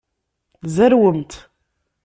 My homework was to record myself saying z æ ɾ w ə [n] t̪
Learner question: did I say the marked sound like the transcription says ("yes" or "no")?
no